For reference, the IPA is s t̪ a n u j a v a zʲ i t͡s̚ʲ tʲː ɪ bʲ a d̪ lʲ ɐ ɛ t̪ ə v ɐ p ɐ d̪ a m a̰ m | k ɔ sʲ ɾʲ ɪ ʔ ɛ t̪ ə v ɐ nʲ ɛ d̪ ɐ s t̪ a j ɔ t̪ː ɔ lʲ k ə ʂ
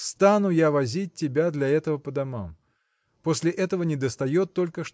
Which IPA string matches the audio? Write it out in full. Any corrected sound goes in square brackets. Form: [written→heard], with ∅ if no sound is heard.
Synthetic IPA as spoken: s t̪ a n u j a v a zʲ i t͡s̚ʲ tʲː ɪ bʲ a d̪ lʲ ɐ ɛ t̪ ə v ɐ p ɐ d̪ a m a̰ m | [k→p] ɔ sʲ [ɾʲ→lʲ] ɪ ʔ ɛ t̪ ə v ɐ nʲ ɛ d̪ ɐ s t̪ a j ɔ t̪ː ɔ lʲ k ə ʂ